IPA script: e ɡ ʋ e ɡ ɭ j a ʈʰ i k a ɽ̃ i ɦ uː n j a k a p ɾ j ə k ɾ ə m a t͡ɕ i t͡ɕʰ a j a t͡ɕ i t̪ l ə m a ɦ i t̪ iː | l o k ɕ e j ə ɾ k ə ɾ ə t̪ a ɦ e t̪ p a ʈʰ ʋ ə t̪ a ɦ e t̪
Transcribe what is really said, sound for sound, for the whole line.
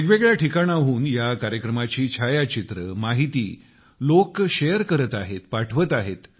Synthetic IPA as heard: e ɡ ʋ e ɡ ɭ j a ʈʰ i k a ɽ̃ a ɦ uː n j a k a ɾ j ə k ɾ ə m a t͡ɕ iː t͡ɕʰ a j a t͡ɕ i t̪ ɾ ə m a ɦ i t̪ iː | l o k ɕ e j ə ɾ k ə ɾ ə t̪ a ɦ e t̪ p a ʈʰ ʋ ə t̪ a ɦ e t̪

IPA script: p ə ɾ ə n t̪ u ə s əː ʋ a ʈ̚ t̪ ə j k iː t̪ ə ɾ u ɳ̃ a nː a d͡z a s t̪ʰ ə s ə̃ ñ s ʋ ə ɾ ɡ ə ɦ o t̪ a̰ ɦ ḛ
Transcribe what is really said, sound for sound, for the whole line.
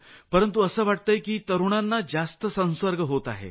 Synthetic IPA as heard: p ə ɾ ə n t̪ u ə s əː ʋ a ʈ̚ t̪ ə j k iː t̪ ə ɾ u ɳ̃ a nː a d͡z a s t̪ ə s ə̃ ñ s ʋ ə ɾ ɡ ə ɦ o t̪ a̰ ɦ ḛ

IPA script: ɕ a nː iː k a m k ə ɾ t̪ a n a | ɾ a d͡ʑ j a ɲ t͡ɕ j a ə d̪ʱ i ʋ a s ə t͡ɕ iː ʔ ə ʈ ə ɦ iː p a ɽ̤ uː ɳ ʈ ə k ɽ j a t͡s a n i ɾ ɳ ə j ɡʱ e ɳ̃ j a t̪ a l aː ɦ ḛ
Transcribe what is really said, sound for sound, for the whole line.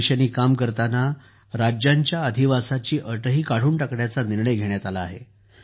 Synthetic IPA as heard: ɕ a n iː k a m k ə ɾ t̪ a n a | ɾ a d͡ʑ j a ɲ t͡ɕ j a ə d̪ʱ i ʋ a s a t͡ɕ iː ʔ ə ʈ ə ɦ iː k a ɽ̤ uː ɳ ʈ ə k ɽ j a t͡s a n i ɾ ɳ ə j ɡʱ e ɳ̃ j a t̪ a l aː ɦ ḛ

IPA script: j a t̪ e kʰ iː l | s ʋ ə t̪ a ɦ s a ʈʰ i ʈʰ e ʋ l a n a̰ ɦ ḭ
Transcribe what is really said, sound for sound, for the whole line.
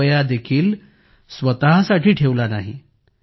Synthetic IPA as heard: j a d̪ e kʰ iː l | s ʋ ə t̪ a ɦ s a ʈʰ iː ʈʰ e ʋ l a n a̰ ɦ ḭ

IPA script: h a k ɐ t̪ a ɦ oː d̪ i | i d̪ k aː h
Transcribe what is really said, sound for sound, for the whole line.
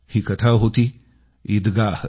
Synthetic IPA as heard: h i k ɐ t̪ʰ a ɦ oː t̪ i | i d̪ ɡ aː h

